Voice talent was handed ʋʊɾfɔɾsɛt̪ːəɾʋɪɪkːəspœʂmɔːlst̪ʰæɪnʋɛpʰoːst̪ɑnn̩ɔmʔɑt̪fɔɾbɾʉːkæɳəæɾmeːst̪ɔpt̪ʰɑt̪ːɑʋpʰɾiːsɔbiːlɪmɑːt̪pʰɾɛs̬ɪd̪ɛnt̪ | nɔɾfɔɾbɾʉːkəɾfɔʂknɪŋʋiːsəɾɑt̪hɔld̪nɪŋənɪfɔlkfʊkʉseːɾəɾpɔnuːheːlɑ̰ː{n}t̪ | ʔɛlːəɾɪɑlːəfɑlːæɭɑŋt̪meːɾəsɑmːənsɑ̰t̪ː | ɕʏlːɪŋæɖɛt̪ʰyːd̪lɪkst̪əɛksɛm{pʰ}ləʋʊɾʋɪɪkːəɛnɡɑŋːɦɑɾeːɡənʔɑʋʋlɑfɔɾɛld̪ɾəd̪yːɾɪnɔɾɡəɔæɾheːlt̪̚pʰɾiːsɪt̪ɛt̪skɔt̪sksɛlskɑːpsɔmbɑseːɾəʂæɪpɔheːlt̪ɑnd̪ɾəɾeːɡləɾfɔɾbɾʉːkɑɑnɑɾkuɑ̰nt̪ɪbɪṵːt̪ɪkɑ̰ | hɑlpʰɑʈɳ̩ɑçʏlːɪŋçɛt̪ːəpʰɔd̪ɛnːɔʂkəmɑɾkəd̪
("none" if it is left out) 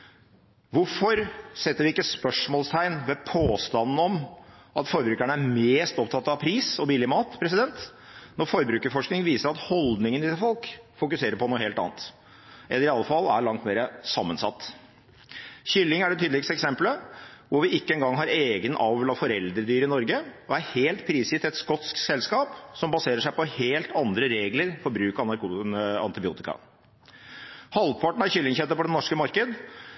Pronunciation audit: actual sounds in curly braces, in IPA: n, p

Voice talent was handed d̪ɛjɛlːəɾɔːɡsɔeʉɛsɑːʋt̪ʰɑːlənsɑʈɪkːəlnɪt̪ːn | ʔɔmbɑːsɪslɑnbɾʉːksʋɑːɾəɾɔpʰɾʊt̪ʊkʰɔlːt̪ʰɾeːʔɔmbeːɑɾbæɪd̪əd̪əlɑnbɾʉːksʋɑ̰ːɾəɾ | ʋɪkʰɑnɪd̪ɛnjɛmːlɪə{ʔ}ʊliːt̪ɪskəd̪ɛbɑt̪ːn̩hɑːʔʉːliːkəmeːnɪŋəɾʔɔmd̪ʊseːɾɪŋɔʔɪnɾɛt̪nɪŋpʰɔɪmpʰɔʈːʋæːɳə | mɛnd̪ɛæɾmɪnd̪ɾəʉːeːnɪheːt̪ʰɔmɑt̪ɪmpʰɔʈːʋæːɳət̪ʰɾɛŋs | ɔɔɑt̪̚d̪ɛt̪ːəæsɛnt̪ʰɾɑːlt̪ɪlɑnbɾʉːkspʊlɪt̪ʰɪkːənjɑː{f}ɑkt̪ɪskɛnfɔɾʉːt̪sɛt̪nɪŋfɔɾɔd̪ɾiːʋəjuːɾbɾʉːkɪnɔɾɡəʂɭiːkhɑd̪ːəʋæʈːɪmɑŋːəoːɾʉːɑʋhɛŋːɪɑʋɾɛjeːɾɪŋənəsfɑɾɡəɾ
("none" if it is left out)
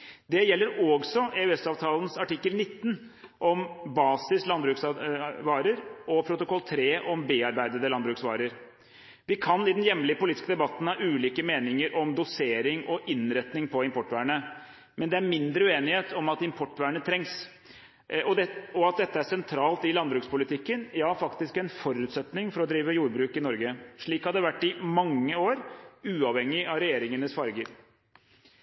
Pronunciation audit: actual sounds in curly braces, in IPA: p, f

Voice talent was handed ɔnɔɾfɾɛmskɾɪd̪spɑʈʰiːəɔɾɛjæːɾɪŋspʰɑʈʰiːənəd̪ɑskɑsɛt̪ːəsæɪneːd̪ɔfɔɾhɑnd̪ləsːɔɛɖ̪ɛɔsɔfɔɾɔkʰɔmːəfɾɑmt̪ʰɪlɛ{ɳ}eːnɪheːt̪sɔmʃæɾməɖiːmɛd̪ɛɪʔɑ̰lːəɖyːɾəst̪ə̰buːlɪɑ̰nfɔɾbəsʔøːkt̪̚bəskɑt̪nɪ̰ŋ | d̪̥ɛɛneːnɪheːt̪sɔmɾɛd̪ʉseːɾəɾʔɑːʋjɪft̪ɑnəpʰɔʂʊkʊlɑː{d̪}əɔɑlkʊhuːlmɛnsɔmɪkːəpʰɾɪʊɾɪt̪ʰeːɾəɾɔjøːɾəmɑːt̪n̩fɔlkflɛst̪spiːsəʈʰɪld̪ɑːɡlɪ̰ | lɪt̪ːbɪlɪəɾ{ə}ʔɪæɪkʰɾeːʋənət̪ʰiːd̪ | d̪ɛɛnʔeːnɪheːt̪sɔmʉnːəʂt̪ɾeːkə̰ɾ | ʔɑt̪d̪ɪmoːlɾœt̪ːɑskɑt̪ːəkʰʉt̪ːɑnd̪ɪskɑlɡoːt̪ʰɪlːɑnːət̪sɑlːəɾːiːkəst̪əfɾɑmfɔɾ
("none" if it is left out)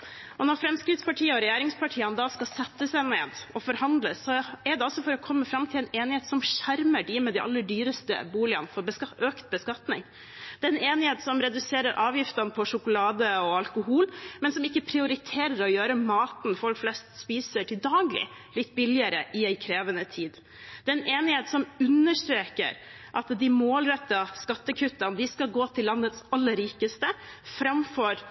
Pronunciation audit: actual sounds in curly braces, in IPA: n, d̪, ə

